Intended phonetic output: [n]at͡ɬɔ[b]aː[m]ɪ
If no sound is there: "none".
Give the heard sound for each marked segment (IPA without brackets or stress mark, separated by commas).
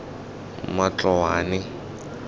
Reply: m, w, n